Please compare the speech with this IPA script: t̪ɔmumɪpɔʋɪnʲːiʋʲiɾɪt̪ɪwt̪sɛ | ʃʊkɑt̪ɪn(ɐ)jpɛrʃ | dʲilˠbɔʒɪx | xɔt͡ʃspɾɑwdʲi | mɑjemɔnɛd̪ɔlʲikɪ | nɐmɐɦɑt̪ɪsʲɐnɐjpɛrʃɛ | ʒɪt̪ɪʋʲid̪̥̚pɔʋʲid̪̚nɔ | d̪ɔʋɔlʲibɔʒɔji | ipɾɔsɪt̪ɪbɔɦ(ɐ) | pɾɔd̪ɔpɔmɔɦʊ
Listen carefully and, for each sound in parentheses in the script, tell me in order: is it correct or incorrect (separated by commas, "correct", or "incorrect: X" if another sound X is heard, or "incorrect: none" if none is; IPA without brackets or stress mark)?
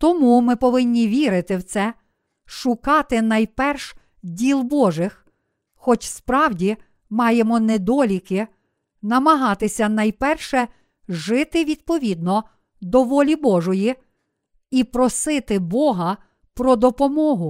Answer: correct, correct